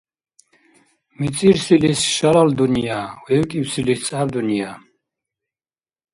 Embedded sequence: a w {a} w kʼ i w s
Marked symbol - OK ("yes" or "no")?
no